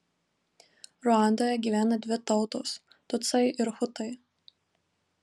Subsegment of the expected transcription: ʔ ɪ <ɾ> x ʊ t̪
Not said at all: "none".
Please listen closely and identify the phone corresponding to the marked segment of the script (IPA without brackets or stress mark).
ɾ